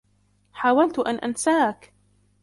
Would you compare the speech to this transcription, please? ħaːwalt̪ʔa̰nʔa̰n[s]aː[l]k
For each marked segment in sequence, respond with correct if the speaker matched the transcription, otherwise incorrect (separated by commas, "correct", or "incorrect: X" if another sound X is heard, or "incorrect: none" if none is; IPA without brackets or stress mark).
correct, incorrect: none